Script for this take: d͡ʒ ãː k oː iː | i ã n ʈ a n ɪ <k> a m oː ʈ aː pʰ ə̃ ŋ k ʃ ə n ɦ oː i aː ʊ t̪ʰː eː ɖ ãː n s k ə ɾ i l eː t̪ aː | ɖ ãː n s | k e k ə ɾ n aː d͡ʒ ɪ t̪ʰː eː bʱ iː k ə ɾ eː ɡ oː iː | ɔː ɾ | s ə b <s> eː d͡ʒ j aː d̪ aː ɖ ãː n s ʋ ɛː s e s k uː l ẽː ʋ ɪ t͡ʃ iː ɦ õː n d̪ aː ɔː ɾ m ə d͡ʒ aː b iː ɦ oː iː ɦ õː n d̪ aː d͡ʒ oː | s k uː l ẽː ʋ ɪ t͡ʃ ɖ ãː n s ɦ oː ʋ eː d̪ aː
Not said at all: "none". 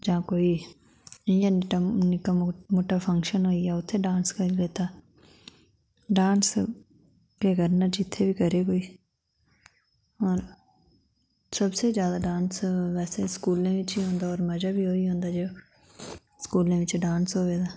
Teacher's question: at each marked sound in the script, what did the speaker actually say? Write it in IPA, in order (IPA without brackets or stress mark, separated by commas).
k, s